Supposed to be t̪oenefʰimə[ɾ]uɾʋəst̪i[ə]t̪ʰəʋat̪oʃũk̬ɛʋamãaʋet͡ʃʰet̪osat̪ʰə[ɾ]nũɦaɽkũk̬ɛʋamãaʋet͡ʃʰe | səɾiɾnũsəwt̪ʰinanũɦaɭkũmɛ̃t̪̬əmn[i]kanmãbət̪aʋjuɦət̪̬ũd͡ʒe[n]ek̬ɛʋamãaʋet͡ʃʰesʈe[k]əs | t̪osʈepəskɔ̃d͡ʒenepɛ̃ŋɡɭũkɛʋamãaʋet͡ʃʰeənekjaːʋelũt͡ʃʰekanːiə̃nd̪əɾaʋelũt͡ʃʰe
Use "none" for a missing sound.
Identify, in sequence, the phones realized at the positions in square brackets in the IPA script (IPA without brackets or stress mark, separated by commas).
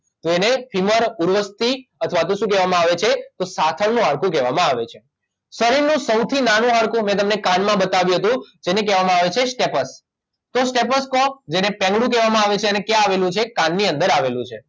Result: ɾ, ə, ɭ, e, n, p